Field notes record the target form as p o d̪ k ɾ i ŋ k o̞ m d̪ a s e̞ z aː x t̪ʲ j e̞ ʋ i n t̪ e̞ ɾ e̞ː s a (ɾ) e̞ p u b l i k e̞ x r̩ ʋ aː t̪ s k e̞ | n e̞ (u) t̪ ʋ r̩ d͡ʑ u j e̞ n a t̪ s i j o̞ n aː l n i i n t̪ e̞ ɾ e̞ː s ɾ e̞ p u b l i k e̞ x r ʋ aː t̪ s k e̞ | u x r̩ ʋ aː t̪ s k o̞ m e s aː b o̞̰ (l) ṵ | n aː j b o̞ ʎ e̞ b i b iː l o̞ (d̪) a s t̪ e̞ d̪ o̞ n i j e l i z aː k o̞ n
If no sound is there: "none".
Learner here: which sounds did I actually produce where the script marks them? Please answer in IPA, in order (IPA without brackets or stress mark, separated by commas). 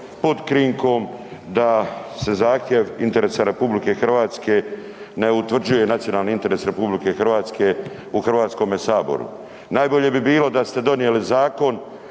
ɾ, u, ɾ, d̪